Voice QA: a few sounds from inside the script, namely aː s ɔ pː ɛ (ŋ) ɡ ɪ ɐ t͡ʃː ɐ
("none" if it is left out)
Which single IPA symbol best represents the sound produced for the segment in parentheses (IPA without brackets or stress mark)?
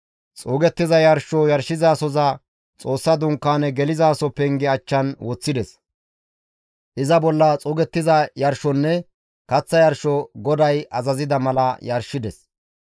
ŋ